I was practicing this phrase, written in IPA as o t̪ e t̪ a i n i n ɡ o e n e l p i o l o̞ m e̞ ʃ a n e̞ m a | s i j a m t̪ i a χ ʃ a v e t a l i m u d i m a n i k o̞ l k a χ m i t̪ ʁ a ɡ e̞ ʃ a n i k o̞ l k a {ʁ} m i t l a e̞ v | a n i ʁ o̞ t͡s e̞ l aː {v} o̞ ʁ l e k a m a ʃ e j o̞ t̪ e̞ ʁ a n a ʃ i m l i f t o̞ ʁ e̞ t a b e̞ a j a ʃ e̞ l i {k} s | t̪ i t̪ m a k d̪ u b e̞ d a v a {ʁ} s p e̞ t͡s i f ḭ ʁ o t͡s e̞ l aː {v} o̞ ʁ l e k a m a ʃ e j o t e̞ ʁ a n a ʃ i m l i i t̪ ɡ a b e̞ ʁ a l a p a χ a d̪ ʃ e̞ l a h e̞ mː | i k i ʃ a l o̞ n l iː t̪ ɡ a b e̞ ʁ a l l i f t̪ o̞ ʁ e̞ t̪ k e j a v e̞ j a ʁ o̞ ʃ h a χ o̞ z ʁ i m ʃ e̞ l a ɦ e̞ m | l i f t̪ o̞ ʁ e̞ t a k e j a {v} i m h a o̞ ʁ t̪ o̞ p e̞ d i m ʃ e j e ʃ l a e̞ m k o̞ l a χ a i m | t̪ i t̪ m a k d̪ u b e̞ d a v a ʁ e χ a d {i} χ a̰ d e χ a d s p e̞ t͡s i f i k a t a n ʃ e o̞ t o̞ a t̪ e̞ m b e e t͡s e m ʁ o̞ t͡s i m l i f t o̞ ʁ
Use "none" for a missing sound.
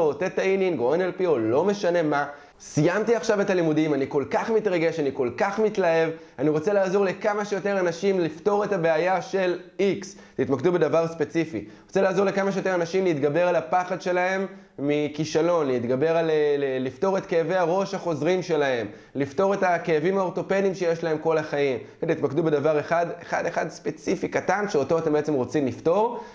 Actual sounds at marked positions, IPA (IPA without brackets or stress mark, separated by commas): χ, z, k, ʁ, z, v, e